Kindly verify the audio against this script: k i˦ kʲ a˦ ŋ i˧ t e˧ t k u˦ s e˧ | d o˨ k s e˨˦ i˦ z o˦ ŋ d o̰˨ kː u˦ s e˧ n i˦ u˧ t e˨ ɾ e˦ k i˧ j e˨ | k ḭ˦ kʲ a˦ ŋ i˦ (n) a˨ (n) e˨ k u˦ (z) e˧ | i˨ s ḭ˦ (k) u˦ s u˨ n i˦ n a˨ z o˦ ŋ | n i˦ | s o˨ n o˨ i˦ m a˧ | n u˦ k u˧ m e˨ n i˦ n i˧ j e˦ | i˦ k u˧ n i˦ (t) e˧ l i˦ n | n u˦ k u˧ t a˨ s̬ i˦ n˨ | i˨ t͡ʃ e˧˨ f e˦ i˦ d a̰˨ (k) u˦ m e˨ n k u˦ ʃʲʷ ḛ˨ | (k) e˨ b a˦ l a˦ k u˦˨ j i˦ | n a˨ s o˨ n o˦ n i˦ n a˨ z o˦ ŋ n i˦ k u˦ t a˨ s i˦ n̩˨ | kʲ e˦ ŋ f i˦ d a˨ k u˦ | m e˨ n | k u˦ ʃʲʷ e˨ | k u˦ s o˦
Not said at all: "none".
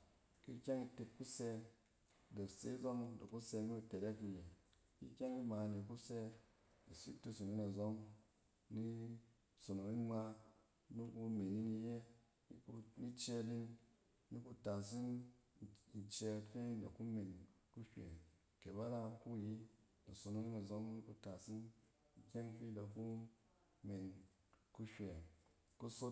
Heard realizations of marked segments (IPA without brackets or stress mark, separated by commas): m, n, s, t, t͡ʃ, k, k